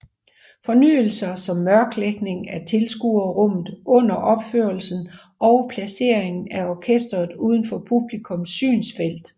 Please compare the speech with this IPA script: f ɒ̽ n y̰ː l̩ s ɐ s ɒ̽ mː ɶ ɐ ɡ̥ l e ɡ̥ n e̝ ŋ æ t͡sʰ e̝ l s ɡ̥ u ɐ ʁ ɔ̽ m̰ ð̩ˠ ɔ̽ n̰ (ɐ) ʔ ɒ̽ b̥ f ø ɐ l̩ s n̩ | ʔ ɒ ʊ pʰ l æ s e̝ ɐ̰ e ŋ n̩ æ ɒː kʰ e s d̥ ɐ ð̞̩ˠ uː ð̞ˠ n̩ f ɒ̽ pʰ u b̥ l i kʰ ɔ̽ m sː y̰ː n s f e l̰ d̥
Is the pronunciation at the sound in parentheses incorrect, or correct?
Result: correct